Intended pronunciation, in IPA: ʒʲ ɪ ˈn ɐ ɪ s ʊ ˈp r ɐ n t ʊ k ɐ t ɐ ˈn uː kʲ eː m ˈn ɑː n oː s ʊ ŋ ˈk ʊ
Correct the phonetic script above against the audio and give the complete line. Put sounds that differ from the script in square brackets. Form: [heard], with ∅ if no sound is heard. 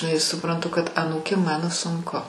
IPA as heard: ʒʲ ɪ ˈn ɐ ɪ s ʊ ˈp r ɐ n t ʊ k ɐ t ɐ ˈn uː kʲ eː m [ˈm] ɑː n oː s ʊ ŋ ˈk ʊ